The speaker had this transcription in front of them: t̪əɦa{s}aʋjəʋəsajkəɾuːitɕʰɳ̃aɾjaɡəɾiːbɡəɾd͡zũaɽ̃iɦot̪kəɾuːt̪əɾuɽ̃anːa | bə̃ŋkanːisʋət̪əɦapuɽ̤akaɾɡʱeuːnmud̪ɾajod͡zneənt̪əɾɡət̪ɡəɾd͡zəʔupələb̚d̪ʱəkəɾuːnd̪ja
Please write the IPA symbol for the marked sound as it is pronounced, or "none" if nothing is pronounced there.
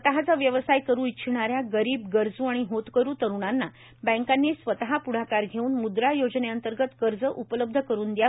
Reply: t͡s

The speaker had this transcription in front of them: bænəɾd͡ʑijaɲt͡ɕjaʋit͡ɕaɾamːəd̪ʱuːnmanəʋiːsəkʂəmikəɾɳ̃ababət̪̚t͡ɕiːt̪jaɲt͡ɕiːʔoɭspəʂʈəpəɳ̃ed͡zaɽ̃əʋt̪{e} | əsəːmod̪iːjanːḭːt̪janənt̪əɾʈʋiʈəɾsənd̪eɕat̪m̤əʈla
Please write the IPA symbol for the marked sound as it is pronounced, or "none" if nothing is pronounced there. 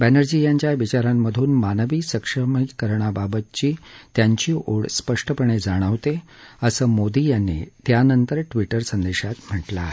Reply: e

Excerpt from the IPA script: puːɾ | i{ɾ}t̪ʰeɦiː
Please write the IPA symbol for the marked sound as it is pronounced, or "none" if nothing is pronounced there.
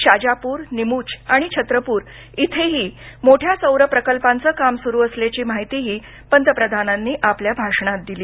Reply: none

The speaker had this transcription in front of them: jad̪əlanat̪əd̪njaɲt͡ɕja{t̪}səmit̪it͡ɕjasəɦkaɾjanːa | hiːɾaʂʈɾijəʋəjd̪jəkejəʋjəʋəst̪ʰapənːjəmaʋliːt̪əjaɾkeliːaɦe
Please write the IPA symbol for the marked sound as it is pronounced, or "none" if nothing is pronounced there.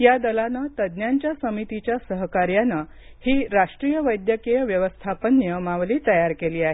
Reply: none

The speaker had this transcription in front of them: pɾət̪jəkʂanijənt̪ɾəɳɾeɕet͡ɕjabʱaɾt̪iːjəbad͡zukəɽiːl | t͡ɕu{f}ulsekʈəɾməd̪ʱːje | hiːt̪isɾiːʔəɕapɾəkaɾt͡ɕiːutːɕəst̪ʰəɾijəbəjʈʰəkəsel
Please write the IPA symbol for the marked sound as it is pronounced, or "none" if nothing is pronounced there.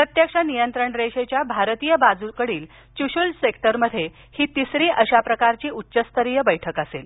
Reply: ɕ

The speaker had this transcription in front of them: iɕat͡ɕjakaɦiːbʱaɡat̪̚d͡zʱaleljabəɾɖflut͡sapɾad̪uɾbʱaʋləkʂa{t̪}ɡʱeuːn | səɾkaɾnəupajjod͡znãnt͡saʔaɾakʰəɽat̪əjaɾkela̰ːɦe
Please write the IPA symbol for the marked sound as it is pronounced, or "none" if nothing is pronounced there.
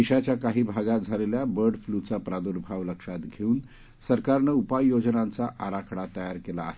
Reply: t̪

